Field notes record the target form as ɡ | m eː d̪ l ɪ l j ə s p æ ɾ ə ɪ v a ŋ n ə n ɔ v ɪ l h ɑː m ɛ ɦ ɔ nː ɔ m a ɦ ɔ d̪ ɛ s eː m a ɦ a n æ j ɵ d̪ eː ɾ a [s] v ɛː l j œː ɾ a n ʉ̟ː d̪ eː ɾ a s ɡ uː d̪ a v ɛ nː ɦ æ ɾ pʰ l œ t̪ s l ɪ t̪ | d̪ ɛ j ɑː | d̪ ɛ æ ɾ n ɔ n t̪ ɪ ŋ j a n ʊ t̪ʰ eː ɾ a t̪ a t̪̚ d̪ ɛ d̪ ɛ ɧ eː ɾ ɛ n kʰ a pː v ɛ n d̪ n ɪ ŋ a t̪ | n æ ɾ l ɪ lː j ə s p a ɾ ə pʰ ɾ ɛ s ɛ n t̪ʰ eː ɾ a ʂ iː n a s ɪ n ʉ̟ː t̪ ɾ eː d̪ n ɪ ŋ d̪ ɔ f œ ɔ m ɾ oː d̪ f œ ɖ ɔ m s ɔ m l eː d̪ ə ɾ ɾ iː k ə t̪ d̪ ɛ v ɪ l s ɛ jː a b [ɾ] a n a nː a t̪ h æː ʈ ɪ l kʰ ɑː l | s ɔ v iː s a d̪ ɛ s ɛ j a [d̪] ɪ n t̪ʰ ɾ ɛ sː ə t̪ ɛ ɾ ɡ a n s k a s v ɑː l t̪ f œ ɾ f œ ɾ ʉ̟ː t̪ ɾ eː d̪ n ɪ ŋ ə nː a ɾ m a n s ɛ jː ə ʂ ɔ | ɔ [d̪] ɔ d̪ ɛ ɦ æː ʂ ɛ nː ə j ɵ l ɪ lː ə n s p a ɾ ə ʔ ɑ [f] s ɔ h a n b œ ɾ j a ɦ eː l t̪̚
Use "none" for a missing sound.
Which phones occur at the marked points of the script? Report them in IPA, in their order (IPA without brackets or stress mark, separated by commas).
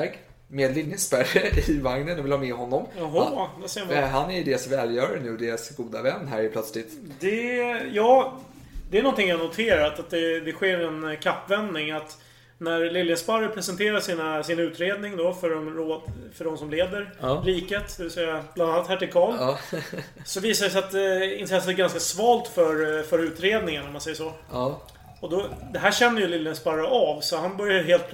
s, l, t̪, d̪, v